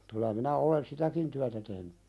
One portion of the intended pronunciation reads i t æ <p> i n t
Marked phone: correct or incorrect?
incorrect